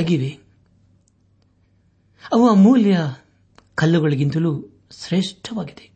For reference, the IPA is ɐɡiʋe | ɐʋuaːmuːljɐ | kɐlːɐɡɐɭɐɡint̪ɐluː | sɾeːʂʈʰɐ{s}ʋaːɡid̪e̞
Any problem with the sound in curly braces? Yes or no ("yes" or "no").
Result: yes